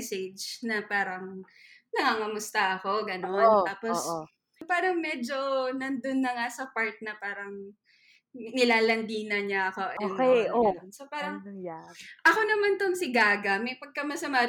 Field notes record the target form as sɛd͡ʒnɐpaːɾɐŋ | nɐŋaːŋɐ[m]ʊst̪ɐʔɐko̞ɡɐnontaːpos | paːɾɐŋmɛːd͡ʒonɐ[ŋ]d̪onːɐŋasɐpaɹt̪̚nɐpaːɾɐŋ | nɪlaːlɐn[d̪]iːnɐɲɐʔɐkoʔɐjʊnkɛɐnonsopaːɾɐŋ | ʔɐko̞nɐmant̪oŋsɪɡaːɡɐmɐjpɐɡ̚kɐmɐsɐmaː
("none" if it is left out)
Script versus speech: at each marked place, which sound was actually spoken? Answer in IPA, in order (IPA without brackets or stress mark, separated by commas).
m, n, d̪